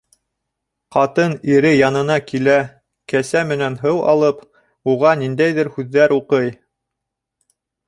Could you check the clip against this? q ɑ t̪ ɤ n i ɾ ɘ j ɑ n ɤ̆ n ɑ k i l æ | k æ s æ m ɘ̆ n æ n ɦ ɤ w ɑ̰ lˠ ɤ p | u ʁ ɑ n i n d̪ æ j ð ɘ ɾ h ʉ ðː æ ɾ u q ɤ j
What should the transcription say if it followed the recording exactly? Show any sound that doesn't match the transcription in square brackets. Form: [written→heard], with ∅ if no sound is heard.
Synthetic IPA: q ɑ t̪ ɤ n i ɾ ɘ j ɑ n ɤ̆ n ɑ k i l æ | k æ s æ m ɘ̆ n æ n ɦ ɤ w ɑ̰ lˠ ɤ p | u ʁ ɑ n i n d̪ æ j ð ɘ ɾ h ʉ ðː æ ɾ u q ɤ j